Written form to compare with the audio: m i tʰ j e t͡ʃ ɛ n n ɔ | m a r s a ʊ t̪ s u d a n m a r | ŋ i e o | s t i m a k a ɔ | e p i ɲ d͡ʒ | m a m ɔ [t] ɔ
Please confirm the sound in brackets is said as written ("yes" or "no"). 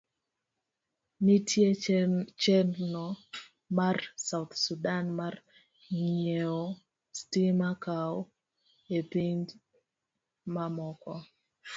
no